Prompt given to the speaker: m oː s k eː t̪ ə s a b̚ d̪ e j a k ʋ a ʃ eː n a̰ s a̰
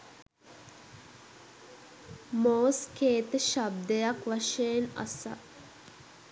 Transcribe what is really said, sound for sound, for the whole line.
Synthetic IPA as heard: m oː s k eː t̪ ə ʃ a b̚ d̪ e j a k ʋ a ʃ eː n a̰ s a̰

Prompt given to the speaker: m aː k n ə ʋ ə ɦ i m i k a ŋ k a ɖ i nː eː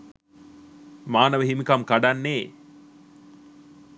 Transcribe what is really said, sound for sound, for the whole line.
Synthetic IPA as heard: m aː n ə ʋ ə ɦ i m i k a m k a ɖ a nː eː

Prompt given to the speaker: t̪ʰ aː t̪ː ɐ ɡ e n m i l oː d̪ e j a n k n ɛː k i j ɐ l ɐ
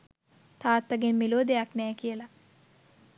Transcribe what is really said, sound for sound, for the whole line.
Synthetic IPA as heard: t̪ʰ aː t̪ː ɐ ɡ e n m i l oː d̪ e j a k n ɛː k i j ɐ l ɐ

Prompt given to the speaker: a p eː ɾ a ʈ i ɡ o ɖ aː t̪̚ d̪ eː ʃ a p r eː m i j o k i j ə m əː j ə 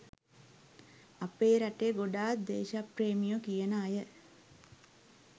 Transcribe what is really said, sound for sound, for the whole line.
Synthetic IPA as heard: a p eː ɾ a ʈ e ɡ o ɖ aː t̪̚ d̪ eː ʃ a p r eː m i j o k i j ə n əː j ə

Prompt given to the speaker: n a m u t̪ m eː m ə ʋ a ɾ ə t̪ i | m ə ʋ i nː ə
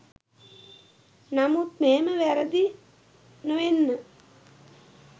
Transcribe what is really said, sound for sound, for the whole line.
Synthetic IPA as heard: n a m u t̪ m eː m ə ʋ æ ɾ ə d̪ i | n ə ʋ e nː ə

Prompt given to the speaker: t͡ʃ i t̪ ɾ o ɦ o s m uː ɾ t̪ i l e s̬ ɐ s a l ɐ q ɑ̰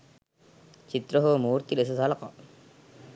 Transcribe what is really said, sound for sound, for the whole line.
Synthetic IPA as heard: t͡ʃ i t̪ ɾ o ɦ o m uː ɾ t̪ i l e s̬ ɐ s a l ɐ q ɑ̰

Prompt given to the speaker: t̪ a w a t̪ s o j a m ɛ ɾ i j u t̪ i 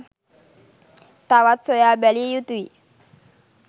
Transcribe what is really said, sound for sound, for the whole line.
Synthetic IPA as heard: t̪ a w a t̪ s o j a b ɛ l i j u t̪ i

